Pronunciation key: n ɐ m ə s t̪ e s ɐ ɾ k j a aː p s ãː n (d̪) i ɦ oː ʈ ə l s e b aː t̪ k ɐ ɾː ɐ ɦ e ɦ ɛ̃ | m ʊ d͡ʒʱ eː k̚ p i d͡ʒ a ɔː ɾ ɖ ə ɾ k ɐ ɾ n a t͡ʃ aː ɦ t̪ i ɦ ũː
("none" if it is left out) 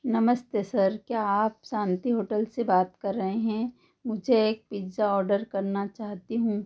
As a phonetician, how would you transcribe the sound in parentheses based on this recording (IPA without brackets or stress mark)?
t̪